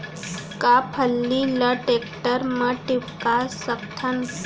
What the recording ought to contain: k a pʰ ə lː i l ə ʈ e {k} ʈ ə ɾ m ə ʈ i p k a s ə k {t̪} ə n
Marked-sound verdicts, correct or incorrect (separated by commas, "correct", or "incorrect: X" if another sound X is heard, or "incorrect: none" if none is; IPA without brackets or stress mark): correct, incorrect: t̪ʰ